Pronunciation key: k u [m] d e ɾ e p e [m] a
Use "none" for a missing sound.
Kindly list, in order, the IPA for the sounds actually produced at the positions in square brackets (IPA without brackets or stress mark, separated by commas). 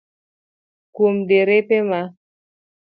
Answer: m, m